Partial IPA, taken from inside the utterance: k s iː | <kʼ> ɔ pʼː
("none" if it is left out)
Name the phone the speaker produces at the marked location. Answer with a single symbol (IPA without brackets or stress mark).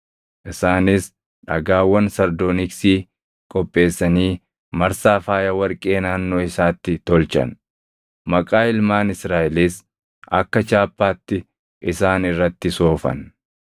kʼ